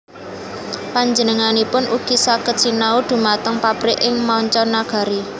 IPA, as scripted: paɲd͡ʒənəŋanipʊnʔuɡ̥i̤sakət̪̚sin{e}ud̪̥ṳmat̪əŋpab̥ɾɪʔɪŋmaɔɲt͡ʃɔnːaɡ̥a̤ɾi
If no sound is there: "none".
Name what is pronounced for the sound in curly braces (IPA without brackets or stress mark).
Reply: a